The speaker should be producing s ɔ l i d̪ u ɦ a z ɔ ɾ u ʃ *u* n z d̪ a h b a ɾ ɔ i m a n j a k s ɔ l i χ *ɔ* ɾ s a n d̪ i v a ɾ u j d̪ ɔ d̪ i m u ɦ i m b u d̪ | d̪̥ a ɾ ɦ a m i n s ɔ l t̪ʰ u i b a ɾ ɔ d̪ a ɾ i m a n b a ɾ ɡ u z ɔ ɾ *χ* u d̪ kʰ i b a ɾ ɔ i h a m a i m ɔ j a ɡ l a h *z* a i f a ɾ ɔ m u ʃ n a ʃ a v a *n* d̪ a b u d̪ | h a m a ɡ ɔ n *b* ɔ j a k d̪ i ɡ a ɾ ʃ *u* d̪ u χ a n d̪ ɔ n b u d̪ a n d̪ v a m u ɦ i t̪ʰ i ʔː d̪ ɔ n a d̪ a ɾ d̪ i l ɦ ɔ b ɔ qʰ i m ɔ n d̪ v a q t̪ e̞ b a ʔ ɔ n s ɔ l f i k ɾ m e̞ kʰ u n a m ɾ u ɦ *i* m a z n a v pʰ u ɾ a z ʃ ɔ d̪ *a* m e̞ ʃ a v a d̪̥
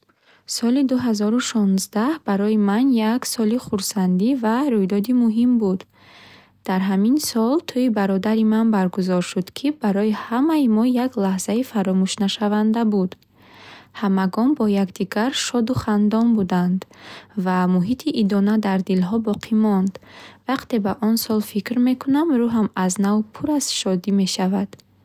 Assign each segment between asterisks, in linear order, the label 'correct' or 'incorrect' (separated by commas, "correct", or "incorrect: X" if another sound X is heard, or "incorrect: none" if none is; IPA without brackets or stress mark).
incorrect: ɔ, incorrect: u, incorrect: ʃ, correct, correct, correct, incorrect: ɔ, incorrect: a, incorrect: i